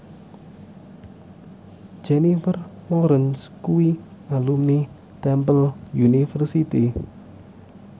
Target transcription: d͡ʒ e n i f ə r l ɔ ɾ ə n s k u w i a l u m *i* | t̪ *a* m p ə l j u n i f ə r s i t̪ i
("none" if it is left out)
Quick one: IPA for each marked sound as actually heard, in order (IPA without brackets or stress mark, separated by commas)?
i, ɛ